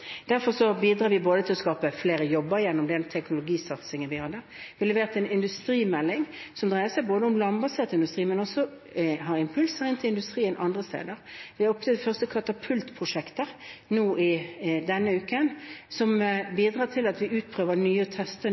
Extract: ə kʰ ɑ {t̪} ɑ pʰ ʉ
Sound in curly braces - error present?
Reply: no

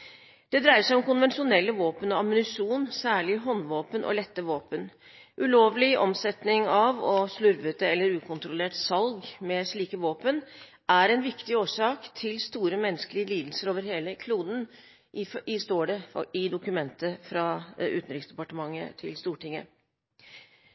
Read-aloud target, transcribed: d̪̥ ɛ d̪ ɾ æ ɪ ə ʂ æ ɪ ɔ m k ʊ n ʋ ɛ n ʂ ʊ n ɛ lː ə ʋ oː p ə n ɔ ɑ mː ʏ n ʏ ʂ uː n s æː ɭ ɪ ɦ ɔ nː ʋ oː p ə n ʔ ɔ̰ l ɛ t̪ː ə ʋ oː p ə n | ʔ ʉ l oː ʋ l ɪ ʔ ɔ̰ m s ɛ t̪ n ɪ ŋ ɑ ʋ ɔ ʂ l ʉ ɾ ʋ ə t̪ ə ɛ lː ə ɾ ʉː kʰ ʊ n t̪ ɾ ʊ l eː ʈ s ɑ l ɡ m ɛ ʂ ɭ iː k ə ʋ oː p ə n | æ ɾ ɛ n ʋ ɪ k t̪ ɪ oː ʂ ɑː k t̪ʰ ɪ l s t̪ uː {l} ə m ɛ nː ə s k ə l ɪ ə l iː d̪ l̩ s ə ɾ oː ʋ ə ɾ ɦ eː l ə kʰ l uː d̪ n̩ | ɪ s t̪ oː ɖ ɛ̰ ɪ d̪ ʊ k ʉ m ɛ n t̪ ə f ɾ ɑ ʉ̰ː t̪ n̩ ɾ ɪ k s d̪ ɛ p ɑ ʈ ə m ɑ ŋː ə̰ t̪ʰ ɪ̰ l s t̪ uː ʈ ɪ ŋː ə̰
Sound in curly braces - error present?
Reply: yes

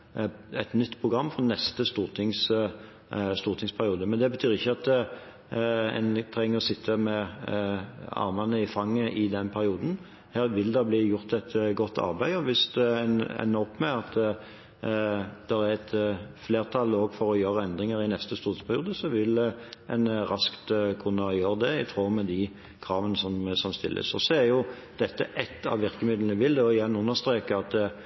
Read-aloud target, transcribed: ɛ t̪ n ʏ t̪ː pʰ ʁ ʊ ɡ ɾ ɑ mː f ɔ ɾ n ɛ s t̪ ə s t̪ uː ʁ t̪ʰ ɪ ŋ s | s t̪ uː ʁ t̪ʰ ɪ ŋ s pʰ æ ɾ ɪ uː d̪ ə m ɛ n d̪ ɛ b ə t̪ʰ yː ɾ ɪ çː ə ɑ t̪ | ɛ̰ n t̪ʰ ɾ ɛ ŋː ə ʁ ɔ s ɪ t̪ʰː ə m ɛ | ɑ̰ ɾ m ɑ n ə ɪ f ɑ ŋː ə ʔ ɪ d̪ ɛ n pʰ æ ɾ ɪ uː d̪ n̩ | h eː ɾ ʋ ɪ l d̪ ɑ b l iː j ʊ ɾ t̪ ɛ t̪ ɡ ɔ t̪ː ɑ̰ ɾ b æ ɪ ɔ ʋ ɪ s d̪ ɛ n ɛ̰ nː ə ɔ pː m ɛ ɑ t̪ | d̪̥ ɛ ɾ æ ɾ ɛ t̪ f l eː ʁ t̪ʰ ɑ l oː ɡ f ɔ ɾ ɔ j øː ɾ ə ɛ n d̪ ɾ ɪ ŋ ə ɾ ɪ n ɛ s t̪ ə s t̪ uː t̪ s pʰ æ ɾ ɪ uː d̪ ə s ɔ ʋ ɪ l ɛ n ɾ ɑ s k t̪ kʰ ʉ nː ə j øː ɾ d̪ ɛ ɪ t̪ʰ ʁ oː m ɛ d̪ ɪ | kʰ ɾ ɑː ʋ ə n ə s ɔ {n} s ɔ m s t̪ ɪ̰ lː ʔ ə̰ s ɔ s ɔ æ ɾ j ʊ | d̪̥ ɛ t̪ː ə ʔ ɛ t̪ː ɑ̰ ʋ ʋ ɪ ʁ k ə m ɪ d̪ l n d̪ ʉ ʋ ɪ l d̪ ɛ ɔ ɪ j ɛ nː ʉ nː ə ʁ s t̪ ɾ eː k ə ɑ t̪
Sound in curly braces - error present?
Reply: yes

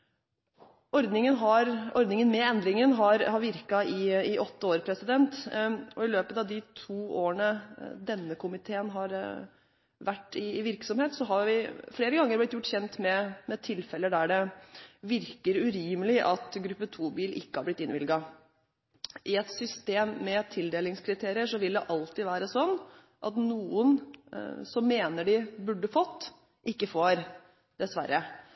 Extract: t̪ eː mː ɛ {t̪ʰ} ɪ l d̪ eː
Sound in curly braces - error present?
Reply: no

